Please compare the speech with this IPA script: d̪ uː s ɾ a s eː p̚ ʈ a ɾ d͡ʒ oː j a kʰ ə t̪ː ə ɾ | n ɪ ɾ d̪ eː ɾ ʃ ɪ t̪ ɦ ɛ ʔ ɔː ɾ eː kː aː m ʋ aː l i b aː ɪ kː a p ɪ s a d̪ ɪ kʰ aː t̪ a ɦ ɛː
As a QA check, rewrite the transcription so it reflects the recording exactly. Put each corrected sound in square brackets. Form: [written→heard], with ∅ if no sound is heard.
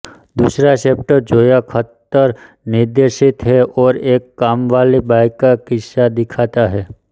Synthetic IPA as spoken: d̪ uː s ɾ a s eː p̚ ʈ [a→ə] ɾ d͡ʒ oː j a kʰ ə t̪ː ə ɾ | n ɪ ɾ d̪ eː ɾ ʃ ɪ t̪ ɦ ɛ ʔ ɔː ɾ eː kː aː m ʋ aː l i b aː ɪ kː a [p→k] ɪ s a d̪ ɪ kʰ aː t̪ a ɦ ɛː

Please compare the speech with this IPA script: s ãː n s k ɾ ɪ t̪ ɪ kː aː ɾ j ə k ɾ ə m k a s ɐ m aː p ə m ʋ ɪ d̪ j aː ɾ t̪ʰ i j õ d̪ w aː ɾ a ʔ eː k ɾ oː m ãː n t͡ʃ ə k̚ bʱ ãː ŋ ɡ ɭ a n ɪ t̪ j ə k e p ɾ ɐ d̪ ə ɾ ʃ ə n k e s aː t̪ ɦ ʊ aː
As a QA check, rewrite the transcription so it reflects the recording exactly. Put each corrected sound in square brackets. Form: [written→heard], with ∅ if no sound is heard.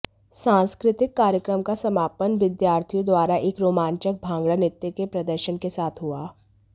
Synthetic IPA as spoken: s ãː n s k ɾ ɪ t̪ ɪ kː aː ɾ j ə k ɾ ə m k a s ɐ m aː p ə [m→n] ʋ ɪ d̪ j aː ɾ t̪ʰ i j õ d̪ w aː ɾ a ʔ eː k ɾ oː m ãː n t͡ʃ ə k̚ bʱ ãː ŋ ɡ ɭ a n ɪ t̪ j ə k e p ɾ ɐ d̪ ə ɾ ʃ ə n k e s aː [t̪→t̪ʰ] ɦ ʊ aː

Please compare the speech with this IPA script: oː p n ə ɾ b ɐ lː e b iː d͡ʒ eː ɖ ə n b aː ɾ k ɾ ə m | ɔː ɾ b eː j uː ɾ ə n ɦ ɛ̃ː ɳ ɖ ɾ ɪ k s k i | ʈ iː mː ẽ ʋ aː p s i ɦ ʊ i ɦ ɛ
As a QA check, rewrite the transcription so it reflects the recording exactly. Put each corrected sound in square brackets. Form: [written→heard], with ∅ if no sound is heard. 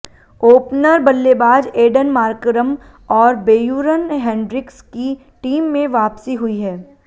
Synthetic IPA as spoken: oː p n ə ɾ b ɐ lː e b [iː→aː] d͡ʒ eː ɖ ə n [b→m] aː ɾ k ɾ ə m | ɔː ɾ b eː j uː ɾ ə n ɦ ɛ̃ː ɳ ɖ ɾ ɪ k s k i | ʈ iː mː ẽ ʋ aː p s i ɦ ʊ i ɦ [ɛ→ɛː]

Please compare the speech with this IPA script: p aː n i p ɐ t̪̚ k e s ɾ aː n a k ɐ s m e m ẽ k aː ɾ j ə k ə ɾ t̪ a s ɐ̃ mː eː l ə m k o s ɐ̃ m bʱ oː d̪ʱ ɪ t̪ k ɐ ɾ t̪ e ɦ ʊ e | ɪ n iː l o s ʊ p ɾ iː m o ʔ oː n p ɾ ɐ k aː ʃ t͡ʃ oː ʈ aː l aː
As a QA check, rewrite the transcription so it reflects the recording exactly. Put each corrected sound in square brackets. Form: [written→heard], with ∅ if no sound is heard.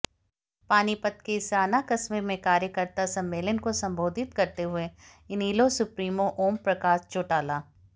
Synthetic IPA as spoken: p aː n i p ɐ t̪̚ k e s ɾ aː n a k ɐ s m e m ẽ k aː ɾ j ə k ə ɾ t̪ a s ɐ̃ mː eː l ə [m→n] k o s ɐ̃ m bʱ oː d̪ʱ ɪ t̪ k ɐ ɾ t̪ e ɦ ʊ e | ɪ n iː l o s ʊ p ɾ iː m o ʔ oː [n→m] p ɾ ɐ k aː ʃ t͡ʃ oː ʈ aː l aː

